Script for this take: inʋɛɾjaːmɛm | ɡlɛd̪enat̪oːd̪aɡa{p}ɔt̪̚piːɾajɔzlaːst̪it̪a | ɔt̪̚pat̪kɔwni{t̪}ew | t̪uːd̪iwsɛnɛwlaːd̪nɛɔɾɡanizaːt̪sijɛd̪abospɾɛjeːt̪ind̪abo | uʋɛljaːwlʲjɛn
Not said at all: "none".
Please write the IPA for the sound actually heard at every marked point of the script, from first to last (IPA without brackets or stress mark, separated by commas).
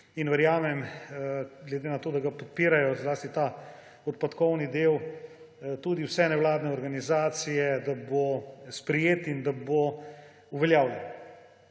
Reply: p, d̪